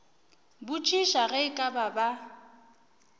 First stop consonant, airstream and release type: plain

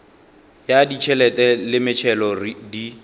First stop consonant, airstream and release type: plain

